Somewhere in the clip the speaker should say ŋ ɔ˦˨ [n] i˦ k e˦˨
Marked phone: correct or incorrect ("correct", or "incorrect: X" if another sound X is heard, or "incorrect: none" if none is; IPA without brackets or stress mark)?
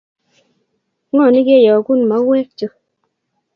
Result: correct